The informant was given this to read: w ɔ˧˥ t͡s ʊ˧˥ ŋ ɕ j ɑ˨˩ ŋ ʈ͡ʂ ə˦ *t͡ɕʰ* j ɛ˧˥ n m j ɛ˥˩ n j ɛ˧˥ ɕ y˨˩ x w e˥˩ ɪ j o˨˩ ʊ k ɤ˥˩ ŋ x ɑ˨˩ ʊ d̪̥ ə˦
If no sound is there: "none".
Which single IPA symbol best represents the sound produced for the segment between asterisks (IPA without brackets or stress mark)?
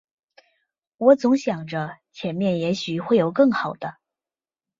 t͡ɕʰ